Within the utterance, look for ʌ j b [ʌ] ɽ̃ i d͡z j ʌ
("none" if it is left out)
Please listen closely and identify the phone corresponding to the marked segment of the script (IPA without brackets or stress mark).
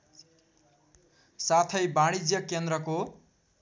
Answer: a